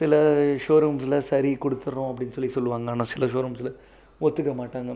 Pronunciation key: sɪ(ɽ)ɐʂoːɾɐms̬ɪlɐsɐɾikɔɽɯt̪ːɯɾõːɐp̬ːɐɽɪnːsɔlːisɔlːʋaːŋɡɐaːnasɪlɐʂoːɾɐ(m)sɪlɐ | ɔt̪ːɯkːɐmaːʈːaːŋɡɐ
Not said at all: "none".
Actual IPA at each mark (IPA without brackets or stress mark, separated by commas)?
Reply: l, m